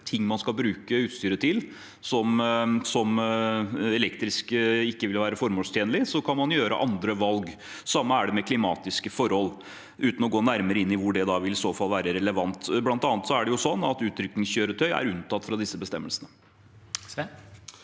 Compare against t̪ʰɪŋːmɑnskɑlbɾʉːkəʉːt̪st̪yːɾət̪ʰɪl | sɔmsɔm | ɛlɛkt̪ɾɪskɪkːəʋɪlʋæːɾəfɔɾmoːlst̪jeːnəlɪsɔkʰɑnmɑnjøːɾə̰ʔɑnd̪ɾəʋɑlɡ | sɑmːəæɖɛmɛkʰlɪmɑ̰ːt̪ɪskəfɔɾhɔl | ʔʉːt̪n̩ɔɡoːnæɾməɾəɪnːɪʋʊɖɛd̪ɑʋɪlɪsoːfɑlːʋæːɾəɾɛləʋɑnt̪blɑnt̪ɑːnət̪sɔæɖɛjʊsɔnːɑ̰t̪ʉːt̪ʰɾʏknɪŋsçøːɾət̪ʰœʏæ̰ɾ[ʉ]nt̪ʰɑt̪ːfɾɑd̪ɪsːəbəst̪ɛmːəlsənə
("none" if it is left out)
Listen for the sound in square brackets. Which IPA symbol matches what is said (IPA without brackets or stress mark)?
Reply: ʉ